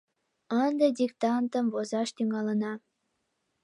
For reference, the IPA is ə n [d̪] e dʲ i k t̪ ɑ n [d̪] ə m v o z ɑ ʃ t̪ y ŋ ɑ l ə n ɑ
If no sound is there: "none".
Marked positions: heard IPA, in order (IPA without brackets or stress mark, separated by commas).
d̪, t̪